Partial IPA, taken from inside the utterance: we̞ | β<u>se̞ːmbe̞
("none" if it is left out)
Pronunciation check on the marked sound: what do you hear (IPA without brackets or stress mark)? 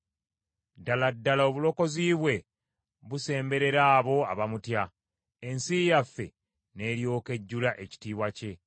u